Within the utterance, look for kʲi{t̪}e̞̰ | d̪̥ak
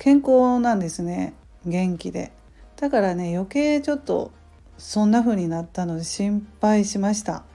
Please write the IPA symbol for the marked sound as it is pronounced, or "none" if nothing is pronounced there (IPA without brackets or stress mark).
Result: d̪